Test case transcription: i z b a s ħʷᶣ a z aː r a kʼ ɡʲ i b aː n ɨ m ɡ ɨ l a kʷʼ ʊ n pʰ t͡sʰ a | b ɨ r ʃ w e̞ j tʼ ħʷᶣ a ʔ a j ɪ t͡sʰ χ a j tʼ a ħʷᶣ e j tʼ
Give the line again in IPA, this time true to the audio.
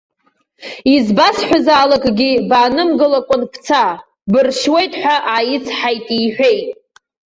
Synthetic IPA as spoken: i z b a s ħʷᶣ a z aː l a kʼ ɡʲ i b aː n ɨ m ɡ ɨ l a kʷʼ ʊ n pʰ t͡sʰ a | b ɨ r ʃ w e̞ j tʼ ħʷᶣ a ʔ a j ɪ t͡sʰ ħ a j tʼ i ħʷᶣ e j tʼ

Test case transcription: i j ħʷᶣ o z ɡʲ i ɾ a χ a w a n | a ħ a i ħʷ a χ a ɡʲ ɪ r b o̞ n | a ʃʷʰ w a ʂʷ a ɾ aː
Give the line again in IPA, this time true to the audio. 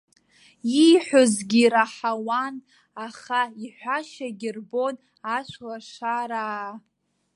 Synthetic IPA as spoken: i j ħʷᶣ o z ɡʲ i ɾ a ħ a w a n | a χ a i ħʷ a ʃ a ɡʲ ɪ r b o̞ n | a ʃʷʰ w a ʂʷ a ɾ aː

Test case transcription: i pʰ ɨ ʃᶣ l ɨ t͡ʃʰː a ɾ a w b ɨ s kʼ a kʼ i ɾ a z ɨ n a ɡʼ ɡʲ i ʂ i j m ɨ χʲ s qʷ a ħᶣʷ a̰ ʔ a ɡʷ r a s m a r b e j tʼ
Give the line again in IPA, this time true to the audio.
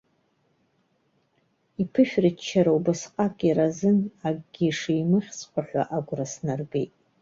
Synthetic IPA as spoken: i pʰ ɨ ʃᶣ r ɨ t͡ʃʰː a ɾ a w b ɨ s qʼ a kʼ i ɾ a z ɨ n a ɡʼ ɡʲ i ʂ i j m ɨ χʲ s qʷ a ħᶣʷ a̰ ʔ a ɡʷ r a s n a r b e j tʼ

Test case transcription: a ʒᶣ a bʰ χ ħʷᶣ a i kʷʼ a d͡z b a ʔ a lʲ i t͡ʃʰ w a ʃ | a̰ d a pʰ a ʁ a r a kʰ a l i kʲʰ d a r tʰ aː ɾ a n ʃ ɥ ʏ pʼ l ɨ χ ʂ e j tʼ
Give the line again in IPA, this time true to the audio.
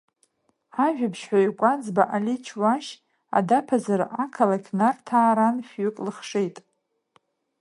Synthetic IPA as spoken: a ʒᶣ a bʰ ʃ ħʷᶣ a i kʷʼ a d͡z b a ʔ a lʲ i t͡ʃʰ w a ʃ | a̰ d a pʰ a z a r a kʰ a l a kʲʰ n a r tʰ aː ɾ a n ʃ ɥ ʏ kʼ l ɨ χ ʂ e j tʼ

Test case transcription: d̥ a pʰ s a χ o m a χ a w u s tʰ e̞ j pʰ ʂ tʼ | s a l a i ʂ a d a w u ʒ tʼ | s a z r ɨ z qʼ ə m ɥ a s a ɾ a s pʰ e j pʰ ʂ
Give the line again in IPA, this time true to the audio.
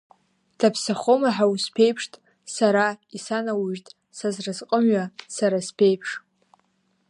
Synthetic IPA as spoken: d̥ a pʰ s a χ o m a ħ a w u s pʰ e̞ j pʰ ʂ tʼ | s a ɾ a i s a n a w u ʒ tʼ | s a z r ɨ z qʼ ə m ɥ a s a ɾ a s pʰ e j pʰ ʂ

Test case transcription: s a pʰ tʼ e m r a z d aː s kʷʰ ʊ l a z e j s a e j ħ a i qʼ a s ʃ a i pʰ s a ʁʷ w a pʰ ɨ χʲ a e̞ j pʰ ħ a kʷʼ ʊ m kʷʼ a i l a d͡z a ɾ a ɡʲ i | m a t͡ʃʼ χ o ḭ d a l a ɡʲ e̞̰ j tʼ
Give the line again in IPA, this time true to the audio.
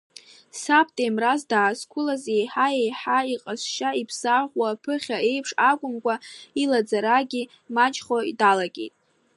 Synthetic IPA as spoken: s a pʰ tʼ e m r a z d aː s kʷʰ ʊ l a z e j ħ a e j ħ a i qʼ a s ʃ a i pʰ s a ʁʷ w a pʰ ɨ χʲ a e̞ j pʰ ʂ a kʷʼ ʊ m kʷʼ a i l a d͡z a ɾ a ɡʲ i | m a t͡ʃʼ χ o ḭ d a l a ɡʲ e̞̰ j tʼ

